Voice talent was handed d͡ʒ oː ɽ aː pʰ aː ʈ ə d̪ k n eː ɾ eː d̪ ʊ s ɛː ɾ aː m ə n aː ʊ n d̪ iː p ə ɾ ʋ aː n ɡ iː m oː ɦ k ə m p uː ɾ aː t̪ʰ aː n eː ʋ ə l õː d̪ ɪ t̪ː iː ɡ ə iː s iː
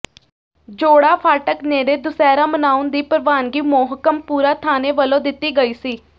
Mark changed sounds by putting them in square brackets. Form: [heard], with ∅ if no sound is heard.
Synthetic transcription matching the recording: d͡ʒ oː ɽ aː pʰ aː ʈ ə [∅] k n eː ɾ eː d̪ ʊ s ɛː ɾ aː m ə n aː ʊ n d̪ iː p ə ɾ ʋ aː n ɡ iː m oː ɦ k ə m p uː ɾ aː t̪ʰ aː n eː ʋ ə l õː d̪ ɪ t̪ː iː ɡ ə iː s iː